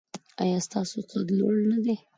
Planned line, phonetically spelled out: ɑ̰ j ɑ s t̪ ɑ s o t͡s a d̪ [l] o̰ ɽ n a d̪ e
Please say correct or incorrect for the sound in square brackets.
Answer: correct